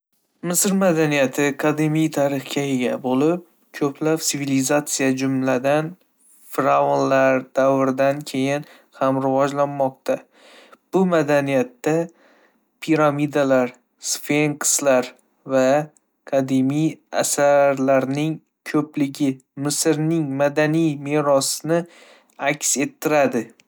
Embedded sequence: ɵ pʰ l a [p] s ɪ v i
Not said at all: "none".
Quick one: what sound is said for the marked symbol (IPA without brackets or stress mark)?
p